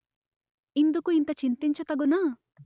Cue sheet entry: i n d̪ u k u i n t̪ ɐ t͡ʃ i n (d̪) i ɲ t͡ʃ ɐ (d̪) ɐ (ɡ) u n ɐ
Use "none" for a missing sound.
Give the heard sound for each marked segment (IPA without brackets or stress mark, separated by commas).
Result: t̪, t̪, ɡ